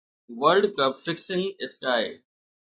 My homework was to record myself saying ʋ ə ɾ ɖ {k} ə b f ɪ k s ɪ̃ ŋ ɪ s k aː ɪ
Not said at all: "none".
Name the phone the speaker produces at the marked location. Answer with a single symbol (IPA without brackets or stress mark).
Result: k